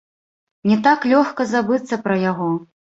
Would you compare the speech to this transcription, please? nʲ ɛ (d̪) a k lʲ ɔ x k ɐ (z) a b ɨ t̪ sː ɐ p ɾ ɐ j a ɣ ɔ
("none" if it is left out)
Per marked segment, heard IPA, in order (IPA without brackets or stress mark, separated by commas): t̪, z